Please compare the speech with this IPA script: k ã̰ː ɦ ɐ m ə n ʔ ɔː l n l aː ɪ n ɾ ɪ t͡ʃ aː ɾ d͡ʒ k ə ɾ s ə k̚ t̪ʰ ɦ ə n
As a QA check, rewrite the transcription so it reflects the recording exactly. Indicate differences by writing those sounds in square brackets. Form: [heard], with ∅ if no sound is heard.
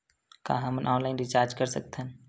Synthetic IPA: k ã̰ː ɦ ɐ m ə n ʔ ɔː [∅] n l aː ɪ n ɾ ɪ t͡ʃ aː ɾ d͡ʒ k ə ɾ s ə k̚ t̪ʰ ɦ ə n